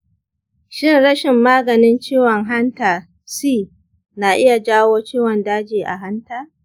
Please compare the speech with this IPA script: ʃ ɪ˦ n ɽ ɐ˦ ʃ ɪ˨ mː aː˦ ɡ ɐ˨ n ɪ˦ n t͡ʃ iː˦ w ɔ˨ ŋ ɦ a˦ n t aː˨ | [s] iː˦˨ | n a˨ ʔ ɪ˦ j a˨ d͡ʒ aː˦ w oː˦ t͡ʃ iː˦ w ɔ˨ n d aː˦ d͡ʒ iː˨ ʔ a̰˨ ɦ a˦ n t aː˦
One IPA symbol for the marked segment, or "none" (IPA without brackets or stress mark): s